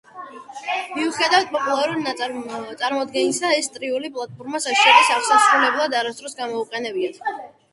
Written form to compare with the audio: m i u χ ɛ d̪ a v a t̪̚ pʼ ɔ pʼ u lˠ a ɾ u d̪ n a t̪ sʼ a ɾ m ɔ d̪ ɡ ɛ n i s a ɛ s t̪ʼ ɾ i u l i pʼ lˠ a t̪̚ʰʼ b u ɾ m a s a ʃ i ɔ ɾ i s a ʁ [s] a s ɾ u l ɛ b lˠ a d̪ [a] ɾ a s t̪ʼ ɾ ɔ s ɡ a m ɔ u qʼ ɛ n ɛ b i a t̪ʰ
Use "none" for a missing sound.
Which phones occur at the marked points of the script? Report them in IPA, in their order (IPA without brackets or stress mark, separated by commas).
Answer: s, a